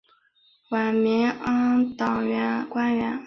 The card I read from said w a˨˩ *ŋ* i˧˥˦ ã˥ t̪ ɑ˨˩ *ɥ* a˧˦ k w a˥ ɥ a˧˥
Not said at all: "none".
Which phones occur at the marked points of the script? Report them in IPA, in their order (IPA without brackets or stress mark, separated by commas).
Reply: m, ɥ